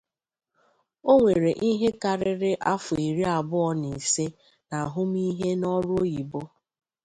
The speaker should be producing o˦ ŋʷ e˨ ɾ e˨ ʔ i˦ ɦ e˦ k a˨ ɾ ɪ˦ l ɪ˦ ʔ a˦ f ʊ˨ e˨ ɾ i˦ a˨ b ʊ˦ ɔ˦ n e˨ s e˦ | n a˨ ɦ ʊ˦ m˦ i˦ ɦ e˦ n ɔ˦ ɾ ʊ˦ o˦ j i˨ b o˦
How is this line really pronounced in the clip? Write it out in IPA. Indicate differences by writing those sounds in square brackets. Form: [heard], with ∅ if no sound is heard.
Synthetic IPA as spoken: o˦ ŋʷ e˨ ɾ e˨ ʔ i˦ ɦ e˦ k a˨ ɾ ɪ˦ [ɾ] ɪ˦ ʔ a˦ f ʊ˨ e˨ ɾ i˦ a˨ b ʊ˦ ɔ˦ n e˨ s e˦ | n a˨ ɦ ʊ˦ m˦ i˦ ɦ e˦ n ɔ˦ ɾ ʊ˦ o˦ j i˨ b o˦